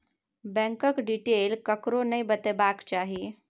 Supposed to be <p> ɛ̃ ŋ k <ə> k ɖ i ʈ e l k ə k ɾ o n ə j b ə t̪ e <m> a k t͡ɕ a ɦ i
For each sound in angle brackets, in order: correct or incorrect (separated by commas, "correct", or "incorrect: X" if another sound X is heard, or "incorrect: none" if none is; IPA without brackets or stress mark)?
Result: incorrect: b, correct, incorrect: b